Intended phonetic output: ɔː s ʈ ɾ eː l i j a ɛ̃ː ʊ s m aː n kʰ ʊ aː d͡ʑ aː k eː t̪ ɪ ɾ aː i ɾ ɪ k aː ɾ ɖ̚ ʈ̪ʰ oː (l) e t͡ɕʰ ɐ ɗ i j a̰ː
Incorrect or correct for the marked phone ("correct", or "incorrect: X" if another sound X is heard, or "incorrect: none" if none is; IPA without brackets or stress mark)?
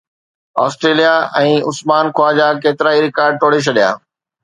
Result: incorrect: ɽ